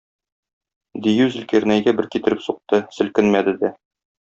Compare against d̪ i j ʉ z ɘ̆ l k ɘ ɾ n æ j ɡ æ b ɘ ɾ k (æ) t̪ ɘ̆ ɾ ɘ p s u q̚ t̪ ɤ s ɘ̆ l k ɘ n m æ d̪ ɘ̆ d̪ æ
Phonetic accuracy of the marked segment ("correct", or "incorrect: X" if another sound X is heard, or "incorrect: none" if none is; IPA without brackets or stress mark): incorrect: i